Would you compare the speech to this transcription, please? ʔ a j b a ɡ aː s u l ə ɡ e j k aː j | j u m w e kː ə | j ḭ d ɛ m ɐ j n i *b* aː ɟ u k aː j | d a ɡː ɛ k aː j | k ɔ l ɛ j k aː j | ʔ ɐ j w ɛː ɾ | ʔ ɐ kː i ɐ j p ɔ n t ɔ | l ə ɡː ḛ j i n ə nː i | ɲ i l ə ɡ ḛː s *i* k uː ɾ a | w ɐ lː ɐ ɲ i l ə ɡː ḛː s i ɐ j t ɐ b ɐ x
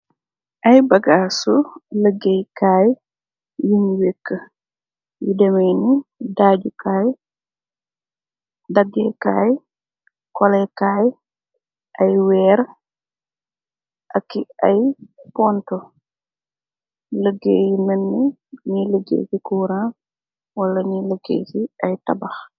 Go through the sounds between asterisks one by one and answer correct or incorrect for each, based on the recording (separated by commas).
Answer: incorrect, correct